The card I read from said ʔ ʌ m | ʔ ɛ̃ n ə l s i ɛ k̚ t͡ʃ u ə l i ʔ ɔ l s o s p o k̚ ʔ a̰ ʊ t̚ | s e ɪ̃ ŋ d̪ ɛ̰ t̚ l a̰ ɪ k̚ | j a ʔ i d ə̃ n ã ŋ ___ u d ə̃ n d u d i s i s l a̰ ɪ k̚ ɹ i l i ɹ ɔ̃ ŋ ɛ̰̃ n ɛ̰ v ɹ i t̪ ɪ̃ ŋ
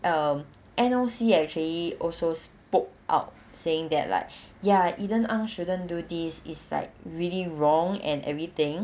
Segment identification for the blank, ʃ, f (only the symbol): ʃ